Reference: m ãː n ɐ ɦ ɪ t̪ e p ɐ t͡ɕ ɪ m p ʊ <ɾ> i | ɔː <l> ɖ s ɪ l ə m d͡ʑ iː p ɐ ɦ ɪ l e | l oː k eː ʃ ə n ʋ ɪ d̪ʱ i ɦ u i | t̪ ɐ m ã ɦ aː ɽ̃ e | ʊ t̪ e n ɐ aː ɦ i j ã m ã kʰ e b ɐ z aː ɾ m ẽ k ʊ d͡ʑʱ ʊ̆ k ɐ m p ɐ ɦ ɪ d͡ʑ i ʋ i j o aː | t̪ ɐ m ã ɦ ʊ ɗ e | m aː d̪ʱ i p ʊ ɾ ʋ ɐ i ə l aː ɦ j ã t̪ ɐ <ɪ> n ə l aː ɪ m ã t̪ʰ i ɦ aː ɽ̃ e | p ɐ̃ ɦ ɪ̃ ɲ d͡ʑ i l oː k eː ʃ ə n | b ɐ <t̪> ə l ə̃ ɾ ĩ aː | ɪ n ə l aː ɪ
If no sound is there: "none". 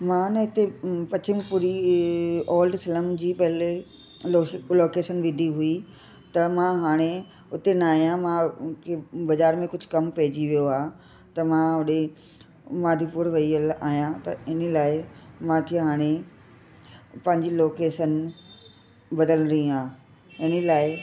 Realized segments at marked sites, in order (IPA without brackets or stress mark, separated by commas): ɾ, l, ɪ, d̪